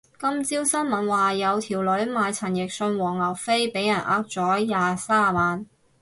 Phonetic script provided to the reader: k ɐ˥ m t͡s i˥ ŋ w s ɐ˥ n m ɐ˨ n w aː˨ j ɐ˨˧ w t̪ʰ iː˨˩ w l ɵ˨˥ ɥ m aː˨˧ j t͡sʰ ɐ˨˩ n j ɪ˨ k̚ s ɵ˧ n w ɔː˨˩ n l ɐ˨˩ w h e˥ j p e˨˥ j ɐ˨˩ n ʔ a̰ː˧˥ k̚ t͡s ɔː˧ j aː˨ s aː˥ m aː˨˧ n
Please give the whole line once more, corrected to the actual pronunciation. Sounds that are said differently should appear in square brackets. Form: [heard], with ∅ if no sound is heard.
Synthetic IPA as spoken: k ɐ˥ m t͡s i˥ [∅] w s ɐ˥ n m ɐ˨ n w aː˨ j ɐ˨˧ w t̪ʰ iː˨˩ w l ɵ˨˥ ɥ m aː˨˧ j t͡sʰ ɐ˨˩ n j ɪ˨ k̚ s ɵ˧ n w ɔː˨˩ [ŋ] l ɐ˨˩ w [f] e˥ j p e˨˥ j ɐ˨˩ n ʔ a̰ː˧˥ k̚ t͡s [ɔː˨˥] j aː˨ s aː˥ m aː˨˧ n